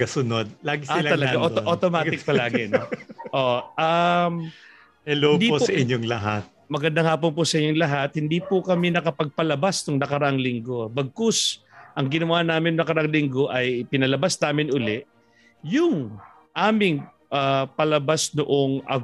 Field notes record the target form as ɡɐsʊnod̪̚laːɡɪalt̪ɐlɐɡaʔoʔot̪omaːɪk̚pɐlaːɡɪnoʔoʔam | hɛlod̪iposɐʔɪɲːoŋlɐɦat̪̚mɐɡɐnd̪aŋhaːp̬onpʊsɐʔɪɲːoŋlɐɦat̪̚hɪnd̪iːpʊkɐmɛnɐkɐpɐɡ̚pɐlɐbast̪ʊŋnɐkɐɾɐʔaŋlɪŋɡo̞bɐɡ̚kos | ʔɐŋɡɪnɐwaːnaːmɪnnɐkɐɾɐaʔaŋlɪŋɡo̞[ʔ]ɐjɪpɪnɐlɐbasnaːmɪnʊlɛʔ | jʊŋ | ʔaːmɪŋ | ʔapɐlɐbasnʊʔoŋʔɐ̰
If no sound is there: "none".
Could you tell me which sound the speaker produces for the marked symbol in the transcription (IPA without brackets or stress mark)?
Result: ʔ